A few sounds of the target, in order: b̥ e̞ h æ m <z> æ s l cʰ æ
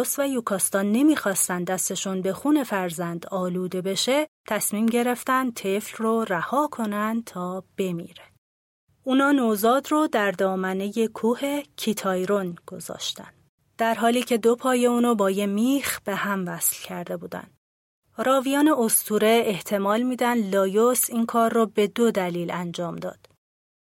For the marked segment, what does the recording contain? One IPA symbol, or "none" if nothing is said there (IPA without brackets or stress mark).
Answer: v